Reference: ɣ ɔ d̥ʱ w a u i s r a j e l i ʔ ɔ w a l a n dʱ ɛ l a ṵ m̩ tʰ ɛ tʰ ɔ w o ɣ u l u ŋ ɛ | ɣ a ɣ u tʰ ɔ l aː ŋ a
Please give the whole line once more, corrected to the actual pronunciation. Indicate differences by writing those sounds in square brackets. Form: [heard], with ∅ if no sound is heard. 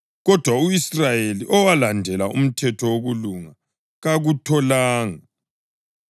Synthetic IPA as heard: ɣ ɔ d̥ʱ w a u i s r a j e l i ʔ ɔ w a l a n dʱ ɛ l a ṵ m̩ tʰ ɛ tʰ ɔ w o ɣ u l u ŋ [a] | ɣ a ɣ u tʰ ɔ l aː ŋ a

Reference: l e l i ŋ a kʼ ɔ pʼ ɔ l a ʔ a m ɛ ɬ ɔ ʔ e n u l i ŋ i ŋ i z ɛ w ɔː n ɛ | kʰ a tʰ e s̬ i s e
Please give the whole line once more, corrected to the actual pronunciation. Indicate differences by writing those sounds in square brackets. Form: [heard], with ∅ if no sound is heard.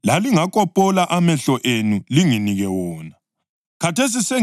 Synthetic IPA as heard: l [a] l i ŋ a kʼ ɔ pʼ ɔ l a ʔ a m ɛ ɬ ɔ ʔ e n u l i ŋ i [n] i [ɣ] ɛ w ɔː n [a] | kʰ a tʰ e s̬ i s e

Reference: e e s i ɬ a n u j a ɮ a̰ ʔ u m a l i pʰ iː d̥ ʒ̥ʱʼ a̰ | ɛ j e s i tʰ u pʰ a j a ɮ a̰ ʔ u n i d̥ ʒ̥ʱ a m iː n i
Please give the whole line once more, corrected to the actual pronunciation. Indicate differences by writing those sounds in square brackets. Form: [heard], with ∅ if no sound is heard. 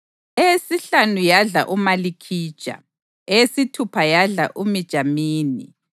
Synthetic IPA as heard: e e s i ɬ a n u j a ɮ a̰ ʔ u m a l i [kʰ] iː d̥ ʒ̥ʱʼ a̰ | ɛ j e s i tʰ u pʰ a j a ɮ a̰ ʔ u [m] i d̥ ʒ̥ʱ a m iː n i

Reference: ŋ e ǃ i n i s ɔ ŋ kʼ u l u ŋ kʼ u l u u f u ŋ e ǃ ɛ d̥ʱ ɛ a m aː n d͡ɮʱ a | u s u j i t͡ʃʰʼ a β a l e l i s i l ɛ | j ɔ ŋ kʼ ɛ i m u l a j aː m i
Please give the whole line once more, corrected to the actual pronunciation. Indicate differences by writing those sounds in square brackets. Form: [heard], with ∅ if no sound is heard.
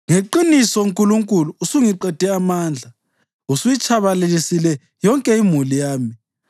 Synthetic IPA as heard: ŋ e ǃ i n i s ɔ ŋ kʼ u l u ŋ kʼ u l u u [s] u ŋ [i] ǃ ɛ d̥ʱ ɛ a m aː n d͡ɮʱ a | u s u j i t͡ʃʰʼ a β a l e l i s i l ɛ | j ɔ ŋ kʼ ɛ i m u l [i] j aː m i

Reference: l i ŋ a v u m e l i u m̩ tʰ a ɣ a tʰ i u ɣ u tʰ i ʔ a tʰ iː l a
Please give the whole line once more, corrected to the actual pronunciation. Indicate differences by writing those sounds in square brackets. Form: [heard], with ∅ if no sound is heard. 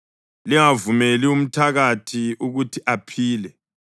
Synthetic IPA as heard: l i ŋ a v u m e l i u m̩ tʰ a ɣ a tʰ i u ɣ u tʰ i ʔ a [pʰ] iː l [ɛ]

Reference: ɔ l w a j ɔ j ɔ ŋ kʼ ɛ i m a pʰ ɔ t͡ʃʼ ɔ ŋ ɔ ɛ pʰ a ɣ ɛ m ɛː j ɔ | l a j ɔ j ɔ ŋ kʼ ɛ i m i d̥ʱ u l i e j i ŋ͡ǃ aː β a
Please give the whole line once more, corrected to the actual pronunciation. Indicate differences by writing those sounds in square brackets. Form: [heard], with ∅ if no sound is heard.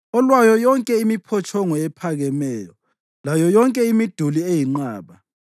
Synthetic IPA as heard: ɔ l w a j ɔ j ɔ ŋ kʼ ɛ i m [i] pʰ ɔ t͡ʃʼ ɔ ŋ ɔ ɛ pʰ a ɣ ɛ m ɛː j ɔ | l a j ɔ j ɔ ŋ kʼ ɛ i m i d̥ʱ u l i e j i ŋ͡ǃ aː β a

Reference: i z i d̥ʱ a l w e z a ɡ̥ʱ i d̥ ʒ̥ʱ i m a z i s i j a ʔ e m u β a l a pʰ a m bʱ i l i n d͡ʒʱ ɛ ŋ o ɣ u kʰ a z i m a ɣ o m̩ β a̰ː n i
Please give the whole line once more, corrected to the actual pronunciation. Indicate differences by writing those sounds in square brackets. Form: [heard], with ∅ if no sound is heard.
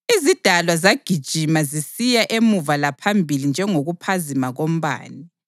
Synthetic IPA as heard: i z i d̥ʱ a l w [a] z a ɡ̥ʱ i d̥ ʒ̥ʱ i m a z i s i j a ʔ e m u [v] a l a pʰ a m bʱ i l i n d͡ʒʱ ɛ ŋ o ɣ u [pʰ] a z i m a ɣ o m̩ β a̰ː n i

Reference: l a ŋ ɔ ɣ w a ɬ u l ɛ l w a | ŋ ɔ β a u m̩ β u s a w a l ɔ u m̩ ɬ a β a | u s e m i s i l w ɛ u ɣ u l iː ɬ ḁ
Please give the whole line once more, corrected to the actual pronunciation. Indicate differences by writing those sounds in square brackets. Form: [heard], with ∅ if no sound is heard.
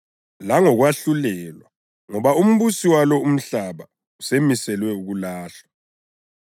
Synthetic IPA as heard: l a ŋ ɔ ɣ w a ɬ u l ɛ l w a | ŋ ɔ β a u m̩ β u s [i] w a l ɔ u m̩ ɬ a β a | u s e m i s [ɛ] l w ɛ u ɣ u l [aː] ɬ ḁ

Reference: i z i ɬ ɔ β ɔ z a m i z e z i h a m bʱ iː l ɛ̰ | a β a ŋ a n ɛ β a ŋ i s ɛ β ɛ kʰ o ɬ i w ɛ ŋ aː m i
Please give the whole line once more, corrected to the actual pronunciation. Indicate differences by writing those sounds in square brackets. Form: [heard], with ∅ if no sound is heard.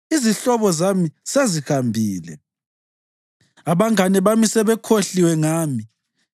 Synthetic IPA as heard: i z i ɬ ɔ β ɔ z a m i [s] e z i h a m bʱ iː l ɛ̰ | a β a ŋ a n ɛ β a [m] i s ɛ β ɛ kʰ o ɬ i w ɛ ŋ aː m i

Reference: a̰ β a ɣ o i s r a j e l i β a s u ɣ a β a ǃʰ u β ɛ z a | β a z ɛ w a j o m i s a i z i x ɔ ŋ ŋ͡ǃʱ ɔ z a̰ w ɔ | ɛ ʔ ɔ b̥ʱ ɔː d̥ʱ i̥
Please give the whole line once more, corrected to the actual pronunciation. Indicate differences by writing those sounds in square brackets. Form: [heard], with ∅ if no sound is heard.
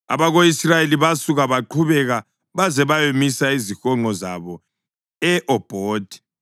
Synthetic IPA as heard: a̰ β a ɣ o i s r a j e l i β a s u ɣ a β a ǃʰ u β ɛ [ɣ] a | β a z ɛ [β] a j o m i s a i z i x ɔ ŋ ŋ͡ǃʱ ɔ z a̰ [β] ɔ | ɛ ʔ ɔ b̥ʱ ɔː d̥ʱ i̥

